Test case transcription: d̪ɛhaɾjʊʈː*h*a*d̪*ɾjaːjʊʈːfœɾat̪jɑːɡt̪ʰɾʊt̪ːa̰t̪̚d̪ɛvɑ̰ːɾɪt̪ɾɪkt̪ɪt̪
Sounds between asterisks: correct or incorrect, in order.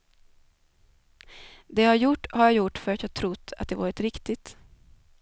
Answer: correct, incorrect

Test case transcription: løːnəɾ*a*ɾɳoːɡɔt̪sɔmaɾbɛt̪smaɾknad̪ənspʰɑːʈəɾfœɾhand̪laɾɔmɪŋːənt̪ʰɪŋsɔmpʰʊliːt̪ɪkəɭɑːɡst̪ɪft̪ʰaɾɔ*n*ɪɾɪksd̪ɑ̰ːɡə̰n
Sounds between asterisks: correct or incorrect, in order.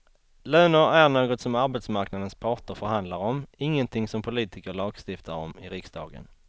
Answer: incorrect, incorrect

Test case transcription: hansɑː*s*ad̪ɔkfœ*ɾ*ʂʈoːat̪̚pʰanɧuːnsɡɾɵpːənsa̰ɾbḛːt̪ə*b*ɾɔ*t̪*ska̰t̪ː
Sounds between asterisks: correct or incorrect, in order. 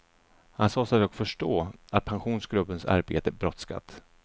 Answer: correct, incorrect, correct, correct

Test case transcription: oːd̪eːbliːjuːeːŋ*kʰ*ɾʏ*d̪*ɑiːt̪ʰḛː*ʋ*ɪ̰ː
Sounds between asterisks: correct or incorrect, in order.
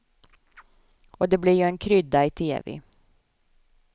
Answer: correct, correct, correct

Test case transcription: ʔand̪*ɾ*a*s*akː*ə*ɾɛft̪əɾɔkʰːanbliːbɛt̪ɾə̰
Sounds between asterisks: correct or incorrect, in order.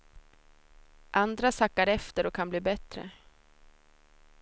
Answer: correct, correct, incorrect

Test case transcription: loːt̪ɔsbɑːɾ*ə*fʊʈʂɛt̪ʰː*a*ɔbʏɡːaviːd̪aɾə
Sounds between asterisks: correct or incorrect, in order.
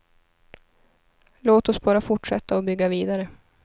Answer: incorrect, correct

